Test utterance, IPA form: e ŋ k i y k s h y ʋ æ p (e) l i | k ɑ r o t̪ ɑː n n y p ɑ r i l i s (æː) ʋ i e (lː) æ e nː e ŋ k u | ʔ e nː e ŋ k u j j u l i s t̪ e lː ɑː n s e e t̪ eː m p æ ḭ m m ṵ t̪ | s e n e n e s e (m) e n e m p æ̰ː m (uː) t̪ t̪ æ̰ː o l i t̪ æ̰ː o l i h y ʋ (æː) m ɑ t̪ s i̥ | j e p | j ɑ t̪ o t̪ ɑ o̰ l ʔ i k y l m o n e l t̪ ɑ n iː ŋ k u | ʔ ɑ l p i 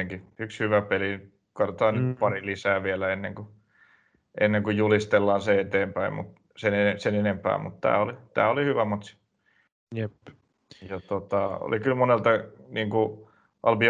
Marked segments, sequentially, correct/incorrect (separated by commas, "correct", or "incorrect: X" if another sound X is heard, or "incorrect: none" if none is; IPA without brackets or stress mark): correct, correct, incorrect: l, incorrect: n, incorrect: u, incorrect: æ